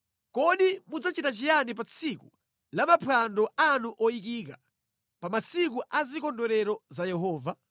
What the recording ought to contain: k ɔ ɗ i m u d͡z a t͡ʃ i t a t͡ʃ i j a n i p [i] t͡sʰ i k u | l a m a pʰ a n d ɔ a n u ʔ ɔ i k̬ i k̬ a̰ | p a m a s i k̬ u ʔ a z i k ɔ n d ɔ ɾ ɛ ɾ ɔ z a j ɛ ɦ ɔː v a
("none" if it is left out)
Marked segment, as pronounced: a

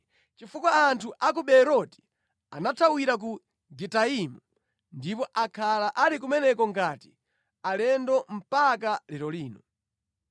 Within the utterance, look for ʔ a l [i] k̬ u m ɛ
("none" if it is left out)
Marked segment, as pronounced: i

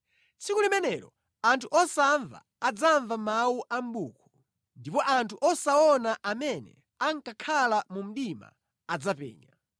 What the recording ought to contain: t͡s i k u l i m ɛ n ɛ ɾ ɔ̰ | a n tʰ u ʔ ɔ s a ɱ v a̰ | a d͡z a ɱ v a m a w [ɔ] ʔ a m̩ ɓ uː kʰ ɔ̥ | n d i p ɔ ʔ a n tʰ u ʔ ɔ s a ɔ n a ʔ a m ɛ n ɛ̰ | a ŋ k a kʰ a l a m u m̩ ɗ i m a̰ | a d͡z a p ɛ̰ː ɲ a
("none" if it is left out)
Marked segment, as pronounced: u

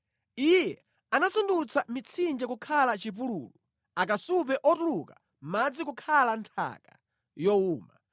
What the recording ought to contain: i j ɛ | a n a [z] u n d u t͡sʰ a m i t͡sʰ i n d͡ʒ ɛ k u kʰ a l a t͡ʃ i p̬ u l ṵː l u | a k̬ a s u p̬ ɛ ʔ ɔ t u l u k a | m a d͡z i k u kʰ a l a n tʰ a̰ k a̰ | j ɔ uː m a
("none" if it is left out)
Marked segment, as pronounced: s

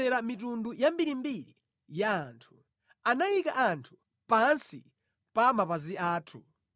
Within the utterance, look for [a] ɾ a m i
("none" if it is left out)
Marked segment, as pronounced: ɛ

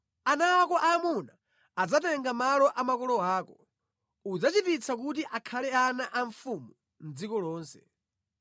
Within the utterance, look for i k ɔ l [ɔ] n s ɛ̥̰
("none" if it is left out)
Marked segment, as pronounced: ɔː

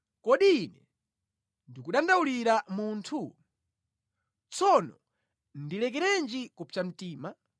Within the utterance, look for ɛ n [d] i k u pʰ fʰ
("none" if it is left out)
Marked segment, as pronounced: d͡ʒ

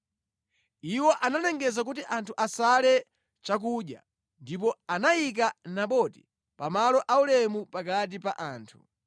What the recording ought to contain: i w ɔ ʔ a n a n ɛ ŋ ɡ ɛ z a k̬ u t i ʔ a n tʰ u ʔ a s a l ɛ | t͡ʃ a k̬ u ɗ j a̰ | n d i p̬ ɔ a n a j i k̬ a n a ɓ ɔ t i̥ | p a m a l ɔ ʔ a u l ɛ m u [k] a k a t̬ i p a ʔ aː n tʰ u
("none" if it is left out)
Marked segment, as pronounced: p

